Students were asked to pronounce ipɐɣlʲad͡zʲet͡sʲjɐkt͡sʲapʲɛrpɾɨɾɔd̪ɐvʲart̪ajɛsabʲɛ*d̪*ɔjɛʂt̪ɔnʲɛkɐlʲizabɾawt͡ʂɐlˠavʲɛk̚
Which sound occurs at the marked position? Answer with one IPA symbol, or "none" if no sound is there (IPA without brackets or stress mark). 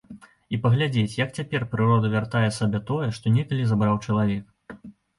t̪